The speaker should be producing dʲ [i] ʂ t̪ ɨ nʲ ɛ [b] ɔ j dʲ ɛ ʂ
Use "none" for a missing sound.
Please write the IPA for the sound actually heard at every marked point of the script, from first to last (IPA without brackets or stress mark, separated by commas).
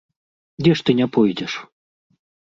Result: ɛ, p